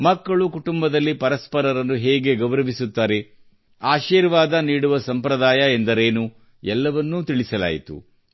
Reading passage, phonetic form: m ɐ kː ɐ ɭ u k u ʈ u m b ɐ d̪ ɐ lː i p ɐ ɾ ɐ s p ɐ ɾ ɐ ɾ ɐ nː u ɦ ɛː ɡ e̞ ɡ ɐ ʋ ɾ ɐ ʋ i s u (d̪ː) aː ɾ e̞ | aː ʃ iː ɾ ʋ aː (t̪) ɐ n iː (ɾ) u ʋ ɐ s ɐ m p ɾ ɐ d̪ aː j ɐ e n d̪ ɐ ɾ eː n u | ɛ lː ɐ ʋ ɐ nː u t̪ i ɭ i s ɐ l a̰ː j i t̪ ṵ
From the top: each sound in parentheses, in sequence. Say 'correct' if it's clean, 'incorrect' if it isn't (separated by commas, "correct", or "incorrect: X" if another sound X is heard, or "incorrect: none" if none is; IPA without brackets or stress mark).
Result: incorrect: t̪ː, incorrect: d̪, incorrect: ɽ